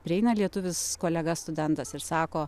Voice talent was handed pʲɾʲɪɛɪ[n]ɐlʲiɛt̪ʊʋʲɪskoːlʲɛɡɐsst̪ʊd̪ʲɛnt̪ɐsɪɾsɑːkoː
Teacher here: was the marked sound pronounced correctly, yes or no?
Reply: yes